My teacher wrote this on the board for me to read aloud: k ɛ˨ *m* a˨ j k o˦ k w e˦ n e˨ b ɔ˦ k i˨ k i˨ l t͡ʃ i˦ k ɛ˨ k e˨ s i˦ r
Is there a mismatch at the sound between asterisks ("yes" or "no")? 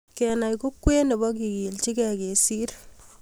yes